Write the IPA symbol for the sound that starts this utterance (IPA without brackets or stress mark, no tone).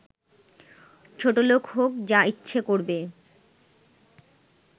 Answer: t͡ɕʰ